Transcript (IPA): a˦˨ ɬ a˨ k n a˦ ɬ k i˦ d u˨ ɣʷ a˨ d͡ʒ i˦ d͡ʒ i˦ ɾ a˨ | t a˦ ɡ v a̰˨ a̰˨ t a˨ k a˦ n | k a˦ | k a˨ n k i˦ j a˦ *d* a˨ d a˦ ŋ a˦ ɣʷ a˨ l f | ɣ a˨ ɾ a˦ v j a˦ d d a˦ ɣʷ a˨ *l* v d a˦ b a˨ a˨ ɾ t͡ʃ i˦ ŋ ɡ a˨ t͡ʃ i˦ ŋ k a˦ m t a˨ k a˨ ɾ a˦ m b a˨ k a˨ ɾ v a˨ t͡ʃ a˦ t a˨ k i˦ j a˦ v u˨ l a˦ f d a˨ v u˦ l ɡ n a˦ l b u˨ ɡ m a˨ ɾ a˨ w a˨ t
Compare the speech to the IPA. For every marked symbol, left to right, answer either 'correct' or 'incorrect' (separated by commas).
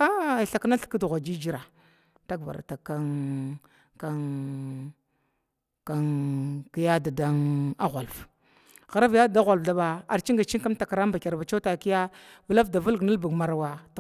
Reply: correct, correct